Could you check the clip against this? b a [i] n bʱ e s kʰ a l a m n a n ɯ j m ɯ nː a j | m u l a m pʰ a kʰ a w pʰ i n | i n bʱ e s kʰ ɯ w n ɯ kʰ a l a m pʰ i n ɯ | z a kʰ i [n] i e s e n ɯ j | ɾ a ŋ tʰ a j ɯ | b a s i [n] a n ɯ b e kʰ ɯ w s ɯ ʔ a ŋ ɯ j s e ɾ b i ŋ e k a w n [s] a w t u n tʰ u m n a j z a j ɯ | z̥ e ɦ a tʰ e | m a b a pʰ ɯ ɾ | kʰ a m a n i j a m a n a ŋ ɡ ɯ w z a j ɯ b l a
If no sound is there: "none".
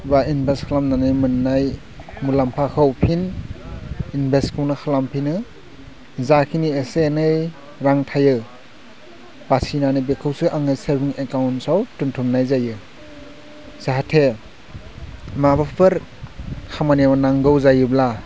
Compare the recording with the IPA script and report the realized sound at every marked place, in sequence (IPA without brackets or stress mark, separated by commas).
i, n, n, s